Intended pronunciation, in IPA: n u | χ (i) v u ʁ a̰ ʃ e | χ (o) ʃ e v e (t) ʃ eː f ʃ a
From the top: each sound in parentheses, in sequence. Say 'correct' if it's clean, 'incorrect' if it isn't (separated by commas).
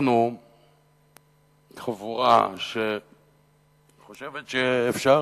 incorrect, correct, correct